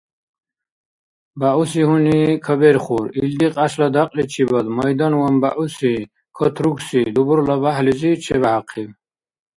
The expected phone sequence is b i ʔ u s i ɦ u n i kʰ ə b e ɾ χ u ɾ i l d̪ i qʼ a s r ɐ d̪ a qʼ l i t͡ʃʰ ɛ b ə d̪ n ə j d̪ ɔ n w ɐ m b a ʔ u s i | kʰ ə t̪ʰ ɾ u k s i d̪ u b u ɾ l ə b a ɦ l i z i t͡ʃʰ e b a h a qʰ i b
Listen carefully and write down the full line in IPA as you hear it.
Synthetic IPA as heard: b a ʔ u s i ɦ u n i kʰ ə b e ɾ χ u ɾ i l d̪ i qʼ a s l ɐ d̪ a qʼ l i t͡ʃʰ i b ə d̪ m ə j d̪ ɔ n w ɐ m b a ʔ u s i | kʰ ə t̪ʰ ɾ u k s i d̪ u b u ɾ l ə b a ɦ l i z i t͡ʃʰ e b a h a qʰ i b